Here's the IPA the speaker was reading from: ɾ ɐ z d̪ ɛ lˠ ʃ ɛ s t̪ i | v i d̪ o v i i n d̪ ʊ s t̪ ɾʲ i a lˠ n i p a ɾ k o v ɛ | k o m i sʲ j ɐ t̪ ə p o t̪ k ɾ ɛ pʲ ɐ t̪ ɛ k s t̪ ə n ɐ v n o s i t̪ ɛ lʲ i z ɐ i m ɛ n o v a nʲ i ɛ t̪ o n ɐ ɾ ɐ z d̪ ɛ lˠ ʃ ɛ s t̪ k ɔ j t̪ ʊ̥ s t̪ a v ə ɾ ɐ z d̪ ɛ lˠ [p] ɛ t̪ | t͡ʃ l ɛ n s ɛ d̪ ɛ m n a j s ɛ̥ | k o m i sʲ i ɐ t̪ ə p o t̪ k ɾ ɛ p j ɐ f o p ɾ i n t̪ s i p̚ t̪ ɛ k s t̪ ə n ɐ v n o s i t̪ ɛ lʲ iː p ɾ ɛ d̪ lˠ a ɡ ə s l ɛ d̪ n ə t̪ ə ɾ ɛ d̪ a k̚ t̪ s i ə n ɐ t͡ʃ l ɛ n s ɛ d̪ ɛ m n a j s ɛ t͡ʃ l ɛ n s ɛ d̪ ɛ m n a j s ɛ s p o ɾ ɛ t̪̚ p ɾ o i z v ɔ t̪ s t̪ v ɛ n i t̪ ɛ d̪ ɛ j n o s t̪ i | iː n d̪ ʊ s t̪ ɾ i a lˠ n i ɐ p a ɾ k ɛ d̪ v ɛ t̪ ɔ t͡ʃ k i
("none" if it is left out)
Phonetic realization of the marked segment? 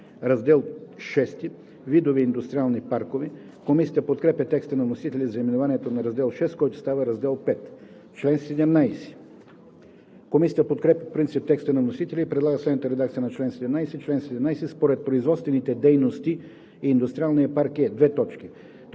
p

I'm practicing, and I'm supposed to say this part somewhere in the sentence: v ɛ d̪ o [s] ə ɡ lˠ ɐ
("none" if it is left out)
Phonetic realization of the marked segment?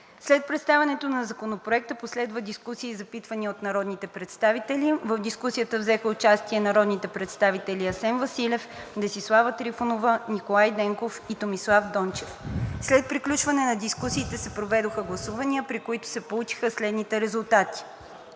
x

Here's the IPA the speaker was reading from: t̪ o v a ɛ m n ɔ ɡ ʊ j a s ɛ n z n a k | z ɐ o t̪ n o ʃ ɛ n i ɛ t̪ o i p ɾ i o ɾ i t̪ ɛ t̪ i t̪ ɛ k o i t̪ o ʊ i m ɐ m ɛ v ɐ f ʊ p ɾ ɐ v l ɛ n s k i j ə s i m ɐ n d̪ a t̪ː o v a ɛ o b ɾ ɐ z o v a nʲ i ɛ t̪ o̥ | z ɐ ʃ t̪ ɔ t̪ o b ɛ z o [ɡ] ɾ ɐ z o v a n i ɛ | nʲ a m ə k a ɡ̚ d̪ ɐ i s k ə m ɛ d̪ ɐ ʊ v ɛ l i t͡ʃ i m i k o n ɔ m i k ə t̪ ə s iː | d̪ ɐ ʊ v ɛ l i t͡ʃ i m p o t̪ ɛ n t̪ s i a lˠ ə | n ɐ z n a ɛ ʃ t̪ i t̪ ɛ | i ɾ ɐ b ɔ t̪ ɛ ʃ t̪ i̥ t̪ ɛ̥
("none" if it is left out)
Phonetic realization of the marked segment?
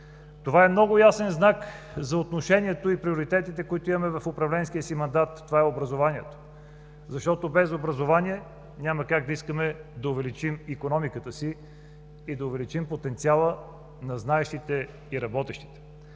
b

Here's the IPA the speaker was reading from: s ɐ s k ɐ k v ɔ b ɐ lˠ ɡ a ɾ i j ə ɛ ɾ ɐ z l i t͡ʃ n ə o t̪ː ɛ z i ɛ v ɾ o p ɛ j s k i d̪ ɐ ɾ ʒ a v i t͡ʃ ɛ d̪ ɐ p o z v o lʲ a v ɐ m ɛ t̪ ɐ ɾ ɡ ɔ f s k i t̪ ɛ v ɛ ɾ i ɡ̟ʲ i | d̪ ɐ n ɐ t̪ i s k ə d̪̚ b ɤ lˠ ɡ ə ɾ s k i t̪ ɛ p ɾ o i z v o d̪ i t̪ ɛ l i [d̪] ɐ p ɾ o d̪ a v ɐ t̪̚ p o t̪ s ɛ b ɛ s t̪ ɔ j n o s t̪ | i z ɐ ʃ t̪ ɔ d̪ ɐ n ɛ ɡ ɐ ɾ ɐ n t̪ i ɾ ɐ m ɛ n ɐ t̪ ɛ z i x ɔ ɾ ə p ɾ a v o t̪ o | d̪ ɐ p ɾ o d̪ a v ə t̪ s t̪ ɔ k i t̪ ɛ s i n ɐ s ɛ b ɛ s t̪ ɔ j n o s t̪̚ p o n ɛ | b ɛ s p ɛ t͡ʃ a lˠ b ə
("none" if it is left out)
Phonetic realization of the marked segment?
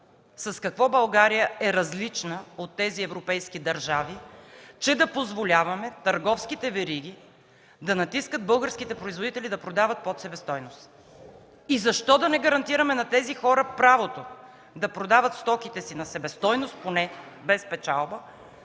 d̪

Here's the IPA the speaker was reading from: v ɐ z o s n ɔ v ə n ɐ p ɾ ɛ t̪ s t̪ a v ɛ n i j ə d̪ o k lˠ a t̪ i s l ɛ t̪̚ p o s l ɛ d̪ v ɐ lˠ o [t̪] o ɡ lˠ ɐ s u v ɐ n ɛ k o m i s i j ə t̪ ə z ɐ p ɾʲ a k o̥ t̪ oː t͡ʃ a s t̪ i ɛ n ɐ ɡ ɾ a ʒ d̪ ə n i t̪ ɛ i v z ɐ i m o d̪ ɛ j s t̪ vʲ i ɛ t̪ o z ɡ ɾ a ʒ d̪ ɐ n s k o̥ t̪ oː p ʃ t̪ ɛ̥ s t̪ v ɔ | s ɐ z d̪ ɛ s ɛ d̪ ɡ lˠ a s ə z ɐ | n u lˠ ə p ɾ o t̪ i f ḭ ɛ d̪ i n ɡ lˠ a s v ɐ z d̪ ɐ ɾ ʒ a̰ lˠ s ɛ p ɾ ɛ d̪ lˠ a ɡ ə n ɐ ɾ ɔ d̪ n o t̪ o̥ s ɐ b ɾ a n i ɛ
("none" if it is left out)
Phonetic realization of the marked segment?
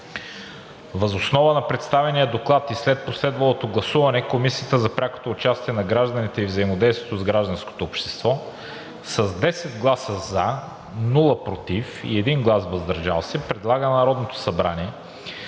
t̪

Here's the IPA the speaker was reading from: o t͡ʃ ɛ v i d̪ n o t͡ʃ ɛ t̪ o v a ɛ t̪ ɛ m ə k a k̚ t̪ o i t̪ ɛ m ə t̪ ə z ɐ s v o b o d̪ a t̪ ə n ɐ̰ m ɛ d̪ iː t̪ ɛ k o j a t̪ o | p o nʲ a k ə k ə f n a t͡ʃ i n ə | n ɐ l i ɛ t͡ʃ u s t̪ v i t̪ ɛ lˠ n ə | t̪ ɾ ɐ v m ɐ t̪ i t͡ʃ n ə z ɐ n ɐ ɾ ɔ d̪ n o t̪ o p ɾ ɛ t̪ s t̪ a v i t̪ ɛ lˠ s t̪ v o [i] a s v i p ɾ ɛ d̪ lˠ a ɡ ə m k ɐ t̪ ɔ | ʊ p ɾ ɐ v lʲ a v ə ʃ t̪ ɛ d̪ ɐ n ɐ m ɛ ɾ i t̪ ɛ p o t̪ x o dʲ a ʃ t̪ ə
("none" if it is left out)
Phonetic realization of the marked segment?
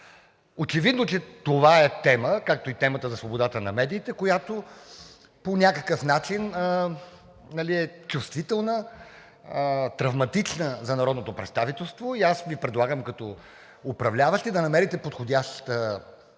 i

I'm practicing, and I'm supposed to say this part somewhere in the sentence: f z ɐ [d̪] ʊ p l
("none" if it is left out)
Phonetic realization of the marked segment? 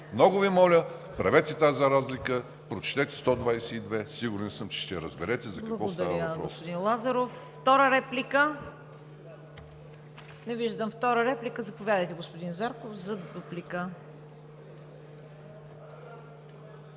d̪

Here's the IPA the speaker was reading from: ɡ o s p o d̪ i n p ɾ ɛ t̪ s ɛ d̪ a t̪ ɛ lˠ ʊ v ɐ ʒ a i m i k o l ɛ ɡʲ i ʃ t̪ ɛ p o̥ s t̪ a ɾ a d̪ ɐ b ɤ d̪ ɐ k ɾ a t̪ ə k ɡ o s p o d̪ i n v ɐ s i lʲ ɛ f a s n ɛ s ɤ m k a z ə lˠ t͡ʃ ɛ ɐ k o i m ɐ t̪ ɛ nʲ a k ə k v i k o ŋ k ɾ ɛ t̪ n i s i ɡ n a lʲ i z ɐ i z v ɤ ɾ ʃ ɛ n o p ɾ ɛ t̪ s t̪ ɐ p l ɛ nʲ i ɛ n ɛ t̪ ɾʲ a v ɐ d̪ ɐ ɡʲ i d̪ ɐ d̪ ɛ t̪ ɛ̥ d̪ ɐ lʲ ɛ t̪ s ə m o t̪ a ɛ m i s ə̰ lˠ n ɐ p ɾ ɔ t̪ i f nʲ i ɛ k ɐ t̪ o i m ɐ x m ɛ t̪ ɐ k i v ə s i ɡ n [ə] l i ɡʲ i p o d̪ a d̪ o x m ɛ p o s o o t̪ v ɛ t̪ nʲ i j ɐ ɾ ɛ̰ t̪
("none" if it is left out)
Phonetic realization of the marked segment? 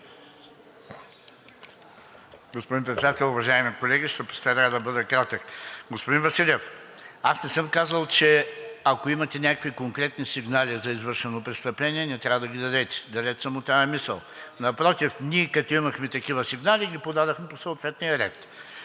a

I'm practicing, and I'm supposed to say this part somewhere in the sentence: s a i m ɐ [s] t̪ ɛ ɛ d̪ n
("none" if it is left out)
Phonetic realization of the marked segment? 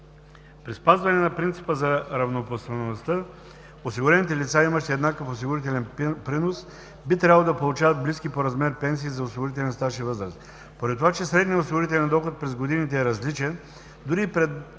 ʃ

